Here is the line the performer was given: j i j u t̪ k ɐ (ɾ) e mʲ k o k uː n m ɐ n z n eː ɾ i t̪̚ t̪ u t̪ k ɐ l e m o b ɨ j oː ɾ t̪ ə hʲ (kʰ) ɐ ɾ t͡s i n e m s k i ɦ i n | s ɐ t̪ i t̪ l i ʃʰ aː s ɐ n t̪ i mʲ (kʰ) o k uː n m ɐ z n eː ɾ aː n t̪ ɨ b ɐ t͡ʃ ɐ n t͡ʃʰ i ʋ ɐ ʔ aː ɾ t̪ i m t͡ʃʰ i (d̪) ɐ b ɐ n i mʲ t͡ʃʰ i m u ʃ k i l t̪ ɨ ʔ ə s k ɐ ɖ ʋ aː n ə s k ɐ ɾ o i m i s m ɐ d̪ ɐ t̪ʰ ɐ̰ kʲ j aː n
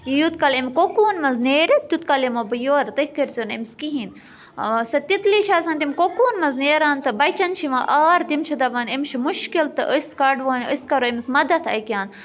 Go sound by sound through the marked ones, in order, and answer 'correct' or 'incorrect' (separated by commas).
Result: incorrect, incorrect, incorrect, correct